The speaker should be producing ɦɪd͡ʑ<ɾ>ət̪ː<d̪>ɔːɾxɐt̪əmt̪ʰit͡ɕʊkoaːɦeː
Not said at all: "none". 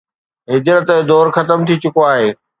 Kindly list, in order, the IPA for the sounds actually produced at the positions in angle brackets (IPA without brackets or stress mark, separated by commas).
ɾ, d̪